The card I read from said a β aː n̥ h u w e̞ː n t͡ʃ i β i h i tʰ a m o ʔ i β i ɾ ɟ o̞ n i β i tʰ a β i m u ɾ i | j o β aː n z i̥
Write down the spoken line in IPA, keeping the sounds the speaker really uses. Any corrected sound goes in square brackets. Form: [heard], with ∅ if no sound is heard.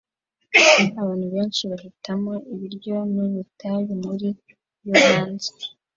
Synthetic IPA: a β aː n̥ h u [β] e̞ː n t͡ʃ i β [a] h i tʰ a m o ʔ i β i ɾ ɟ o̞ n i β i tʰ a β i m u ɾ i | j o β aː n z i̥